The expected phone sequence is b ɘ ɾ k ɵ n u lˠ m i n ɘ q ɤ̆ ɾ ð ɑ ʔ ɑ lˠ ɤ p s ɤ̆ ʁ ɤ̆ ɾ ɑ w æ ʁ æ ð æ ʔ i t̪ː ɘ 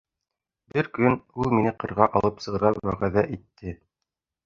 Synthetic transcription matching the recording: b ɘ ɾ k ɵ n u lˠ m i n ɘ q ɤ̆ ɾ ʁ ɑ ʔ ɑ lˠ ɤ p s ɤ̆ ʁ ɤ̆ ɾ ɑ w æ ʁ æ ð æ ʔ i t̪ː ɘ